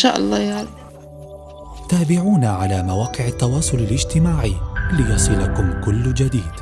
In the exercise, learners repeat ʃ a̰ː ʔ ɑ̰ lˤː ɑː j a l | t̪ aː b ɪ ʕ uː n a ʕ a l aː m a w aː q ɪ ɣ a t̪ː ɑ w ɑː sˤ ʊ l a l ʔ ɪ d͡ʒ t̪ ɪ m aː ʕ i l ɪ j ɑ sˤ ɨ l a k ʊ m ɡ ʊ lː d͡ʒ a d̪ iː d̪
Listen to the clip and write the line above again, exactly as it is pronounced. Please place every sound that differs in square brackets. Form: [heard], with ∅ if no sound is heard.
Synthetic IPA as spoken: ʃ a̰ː ʔ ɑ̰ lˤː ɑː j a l | t̪ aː b ɪ ʕ uː n a ʕ a l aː m a w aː q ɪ [ʕ] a t̪ː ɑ w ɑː sˤ ʊ l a l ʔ ɪ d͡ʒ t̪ ɪ m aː ʕ i l ɪ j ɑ sˤ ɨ l a k ʊ m [k] ʊ lː d͡ʒ a d̪ iː d̪

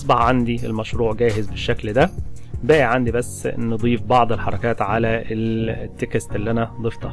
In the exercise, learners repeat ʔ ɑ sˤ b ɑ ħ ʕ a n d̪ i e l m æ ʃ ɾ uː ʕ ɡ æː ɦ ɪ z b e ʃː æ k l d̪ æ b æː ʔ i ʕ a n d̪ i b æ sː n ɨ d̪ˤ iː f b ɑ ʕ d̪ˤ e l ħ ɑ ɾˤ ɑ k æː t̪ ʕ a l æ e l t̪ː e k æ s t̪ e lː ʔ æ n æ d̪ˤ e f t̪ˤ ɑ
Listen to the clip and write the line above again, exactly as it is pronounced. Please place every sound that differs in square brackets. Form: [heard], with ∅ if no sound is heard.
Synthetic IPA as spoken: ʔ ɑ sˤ b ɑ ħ ʕ a n d̪ i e l m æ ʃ ɾ uː ʕ ɡ æː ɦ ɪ z b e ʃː æ k l d̪ æ b æː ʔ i ʕ a n d̪ i b æ sː n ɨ d̪ˤ iː f b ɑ ʕ d̪ˤ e l ħ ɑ ɾˤ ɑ k æː t̪ ʕ a l æ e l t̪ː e k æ s t̪ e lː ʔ æ n æ d̪ˤ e f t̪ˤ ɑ

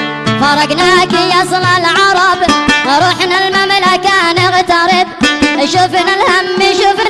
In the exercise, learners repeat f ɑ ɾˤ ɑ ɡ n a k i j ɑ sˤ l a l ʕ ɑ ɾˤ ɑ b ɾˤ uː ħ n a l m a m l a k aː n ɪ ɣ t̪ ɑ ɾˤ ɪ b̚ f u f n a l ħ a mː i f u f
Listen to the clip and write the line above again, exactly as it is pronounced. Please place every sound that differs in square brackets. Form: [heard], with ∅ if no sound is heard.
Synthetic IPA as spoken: f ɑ ɾˤ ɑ ɡ n a k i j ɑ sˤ l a l ʕ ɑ ɾˤ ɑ b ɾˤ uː ħ n a l m a m l a k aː n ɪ ɣ t̪ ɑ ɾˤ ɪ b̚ [ʃ] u f n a l [h] a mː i [ʃ] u f

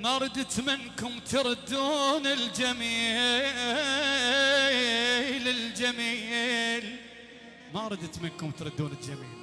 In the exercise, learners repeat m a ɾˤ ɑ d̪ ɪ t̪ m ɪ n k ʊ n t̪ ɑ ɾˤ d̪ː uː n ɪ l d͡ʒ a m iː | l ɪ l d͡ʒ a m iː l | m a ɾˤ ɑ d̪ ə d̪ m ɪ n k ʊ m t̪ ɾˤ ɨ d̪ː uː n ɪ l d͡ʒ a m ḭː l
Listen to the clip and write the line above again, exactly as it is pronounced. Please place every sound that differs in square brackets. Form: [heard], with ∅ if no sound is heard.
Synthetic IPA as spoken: m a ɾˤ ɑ d̪ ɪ t̪ m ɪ n k ʊ [m] t̪ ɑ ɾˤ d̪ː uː n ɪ l d͡ʒ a m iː | l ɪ l d͡ʒ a m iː l | m a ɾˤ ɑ d̪ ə [t̪] m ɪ n k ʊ m t̪ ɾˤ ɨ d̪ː uː n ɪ l d͡ʒ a m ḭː l

